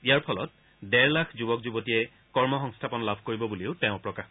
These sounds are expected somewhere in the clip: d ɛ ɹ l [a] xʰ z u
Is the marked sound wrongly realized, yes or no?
no